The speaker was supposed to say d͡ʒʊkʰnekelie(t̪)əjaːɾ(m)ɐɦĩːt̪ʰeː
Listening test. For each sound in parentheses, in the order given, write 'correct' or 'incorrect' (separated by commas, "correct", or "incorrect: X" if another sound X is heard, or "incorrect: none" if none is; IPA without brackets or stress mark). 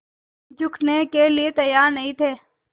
correct, incorrect: n